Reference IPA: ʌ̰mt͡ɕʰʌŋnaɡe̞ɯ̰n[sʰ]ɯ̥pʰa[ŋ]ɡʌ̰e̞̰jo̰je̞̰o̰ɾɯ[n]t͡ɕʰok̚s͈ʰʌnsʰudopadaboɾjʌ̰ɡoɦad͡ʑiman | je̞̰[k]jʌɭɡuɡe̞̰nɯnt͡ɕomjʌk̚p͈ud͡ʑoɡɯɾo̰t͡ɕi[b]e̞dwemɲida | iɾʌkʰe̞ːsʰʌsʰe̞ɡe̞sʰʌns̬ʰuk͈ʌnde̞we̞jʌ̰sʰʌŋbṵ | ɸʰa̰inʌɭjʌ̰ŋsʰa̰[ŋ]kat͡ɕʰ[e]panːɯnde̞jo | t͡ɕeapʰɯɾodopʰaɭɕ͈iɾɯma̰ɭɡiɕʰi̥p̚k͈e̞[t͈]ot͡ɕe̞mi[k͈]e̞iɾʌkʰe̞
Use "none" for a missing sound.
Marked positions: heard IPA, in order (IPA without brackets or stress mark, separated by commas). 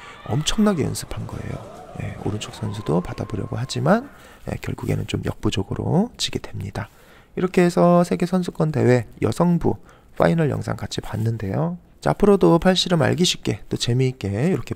sʰ, n, n, k, ɡ, ŋ, i, t͈, k͈